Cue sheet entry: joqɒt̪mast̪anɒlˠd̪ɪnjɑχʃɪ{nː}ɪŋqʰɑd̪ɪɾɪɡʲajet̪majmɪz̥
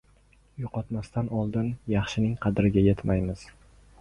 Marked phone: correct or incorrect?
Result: incorrect